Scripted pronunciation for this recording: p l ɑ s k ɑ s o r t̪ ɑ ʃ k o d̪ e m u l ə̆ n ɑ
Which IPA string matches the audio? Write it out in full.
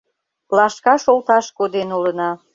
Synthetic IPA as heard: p l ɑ ʃ k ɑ ʃ o l t̪ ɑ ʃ k o d̪ e n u l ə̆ n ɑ